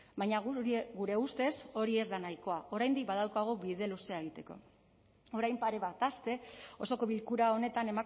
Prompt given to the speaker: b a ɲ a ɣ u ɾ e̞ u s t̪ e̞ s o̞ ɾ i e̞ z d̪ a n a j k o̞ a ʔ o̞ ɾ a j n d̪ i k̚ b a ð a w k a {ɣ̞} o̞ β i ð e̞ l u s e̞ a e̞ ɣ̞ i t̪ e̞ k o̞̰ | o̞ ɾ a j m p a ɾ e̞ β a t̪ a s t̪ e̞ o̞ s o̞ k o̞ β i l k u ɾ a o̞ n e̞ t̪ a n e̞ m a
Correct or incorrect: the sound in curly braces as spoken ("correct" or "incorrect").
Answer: correct